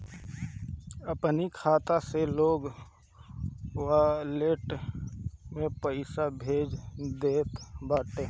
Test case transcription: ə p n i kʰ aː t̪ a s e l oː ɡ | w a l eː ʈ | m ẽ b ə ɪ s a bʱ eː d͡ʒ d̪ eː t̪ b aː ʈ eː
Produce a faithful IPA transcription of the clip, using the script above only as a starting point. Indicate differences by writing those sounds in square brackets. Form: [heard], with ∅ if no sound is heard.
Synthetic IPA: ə p n i kʰ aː t̪ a s e l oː ɡ | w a l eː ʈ | m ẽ [p] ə ɪ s a bʱ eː d͡ʒ d̪ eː t̪ b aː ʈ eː